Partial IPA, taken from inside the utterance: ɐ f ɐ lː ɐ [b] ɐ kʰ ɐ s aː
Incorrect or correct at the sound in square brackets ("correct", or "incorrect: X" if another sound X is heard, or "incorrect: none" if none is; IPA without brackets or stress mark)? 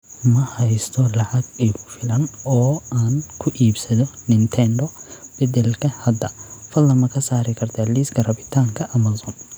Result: incorrect: m